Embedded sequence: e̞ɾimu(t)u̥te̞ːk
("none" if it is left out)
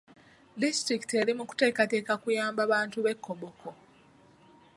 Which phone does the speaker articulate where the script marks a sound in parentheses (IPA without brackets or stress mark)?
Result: k